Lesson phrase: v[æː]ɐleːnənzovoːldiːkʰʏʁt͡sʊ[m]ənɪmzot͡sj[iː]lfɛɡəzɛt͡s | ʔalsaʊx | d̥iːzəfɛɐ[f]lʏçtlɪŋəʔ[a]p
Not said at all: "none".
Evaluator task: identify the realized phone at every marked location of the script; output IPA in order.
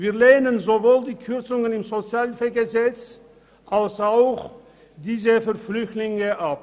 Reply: iː, ŋ, aː, f, a

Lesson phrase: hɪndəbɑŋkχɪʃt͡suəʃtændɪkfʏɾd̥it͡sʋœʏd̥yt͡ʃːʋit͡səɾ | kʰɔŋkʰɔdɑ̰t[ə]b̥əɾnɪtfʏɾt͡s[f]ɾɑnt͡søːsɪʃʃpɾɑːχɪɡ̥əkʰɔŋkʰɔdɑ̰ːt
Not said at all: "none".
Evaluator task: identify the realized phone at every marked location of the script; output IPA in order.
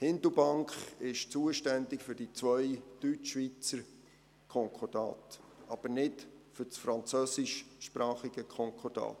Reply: ɑ, f

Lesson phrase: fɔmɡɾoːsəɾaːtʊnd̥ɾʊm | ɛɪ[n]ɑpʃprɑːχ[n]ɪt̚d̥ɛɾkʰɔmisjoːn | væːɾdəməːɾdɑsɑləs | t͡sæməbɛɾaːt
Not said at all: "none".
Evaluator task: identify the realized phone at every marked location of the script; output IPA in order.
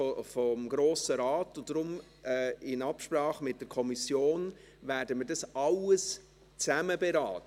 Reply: n, m

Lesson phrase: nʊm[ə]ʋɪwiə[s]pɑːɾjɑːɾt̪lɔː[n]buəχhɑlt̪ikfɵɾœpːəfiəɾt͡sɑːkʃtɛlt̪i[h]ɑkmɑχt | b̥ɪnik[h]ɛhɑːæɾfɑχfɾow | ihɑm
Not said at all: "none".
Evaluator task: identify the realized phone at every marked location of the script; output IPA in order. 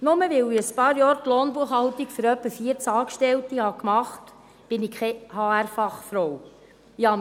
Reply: ə, s, n, h, χ

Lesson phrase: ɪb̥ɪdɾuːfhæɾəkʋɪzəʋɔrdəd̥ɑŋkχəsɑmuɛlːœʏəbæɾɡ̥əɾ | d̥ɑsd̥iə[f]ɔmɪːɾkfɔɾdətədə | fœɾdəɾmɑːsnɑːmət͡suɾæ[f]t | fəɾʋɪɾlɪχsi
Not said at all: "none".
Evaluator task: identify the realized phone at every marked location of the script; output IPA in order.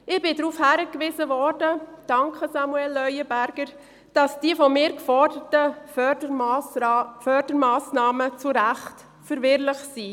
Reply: f, χ

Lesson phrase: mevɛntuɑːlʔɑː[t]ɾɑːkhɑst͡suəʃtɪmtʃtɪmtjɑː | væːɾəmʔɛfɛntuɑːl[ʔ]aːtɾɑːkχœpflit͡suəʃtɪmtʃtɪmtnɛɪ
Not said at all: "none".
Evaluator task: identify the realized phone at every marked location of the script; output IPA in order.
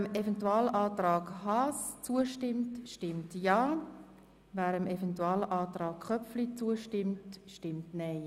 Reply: t, ʔ

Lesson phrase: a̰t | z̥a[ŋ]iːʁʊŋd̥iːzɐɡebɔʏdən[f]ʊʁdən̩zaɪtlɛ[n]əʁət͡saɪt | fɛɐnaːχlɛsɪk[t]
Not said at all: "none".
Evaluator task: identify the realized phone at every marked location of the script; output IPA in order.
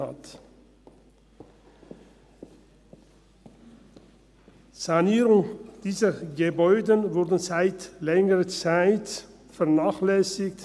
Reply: n, v, ŋ, t

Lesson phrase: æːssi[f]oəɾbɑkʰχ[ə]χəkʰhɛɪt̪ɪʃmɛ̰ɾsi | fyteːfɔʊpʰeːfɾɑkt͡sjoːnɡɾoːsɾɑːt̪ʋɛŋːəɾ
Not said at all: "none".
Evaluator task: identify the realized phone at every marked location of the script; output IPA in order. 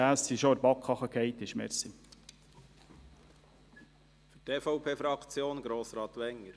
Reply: ʃ, ɑ

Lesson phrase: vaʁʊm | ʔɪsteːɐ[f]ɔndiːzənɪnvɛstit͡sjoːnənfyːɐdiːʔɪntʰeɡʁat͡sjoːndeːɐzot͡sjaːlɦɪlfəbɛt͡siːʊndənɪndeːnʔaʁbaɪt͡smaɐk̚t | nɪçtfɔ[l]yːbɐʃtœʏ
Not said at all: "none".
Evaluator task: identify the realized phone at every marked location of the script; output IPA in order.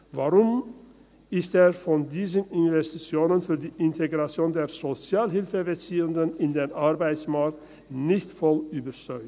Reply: f, l

